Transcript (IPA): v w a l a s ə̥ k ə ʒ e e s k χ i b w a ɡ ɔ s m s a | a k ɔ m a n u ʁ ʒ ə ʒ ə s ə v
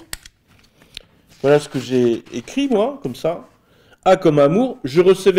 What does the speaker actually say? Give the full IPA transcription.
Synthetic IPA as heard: v w a l a s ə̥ k ə ʒ e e k χ i m w a k ɔ m s a | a k ɔ m a m u ʁ ʒ ə ʁ ə s ə v